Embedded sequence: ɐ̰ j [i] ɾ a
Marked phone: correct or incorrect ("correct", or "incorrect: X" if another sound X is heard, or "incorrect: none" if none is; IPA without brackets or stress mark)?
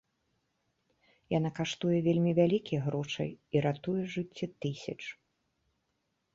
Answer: correct